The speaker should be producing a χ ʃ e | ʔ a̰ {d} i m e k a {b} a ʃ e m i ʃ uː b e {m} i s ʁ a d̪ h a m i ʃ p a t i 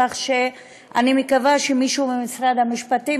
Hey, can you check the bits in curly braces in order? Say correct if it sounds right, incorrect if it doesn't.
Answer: incorrect: n, incorrect: v, correct

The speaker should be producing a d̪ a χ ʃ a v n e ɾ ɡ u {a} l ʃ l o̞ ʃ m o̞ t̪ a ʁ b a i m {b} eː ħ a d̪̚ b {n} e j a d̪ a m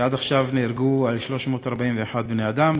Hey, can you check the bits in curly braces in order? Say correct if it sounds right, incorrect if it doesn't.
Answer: correct, incorrect: v, correct

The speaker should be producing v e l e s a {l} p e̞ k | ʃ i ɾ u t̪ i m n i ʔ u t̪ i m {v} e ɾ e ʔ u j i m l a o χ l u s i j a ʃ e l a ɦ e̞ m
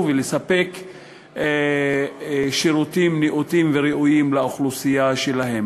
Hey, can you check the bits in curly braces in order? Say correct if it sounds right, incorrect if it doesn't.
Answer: incorrect: none, correct

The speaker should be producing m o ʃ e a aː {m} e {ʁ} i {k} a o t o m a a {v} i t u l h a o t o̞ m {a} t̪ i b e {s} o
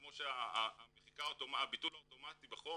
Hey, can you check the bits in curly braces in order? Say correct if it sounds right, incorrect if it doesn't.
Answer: correct, incorrect: χ, correct, incorrect: b, correct, incorrect: χ

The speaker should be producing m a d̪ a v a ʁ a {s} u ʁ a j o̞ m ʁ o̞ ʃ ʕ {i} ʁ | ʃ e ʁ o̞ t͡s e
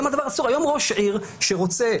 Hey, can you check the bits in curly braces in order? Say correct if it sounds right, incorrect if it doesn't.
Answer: correct, correct

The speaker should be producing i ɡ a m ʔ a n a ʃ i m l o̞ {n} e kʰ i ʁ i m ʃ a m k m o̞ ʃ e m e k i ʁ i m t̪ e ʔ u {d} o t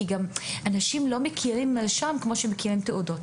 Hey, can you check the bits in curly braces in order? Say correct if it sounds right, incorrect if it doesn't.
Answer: incorrect: m, correct

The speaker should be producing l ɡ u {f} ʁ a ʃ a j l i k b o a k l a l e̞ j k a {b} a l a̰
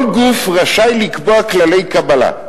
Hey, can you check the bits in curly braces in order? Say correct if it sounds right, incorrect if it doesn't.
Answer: correct, correct

